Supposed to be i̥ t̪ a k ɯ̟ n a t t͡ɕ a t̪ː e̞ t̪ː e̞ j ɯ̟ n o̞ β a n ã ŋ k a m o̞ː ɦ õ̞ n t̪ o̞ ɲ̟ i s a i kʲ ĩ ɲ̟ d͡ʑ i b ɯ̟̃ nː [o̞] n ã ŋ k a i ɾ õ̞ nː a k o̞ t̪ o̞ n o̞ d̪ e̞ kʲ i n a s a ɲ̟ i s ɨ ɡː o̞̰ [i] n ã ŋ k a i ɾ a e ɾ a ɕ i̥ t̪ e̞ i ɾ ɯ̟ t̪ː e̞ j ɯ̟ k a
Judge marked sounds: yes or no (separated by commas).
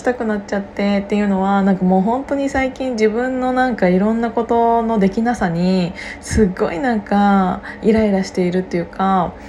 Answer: yes, yes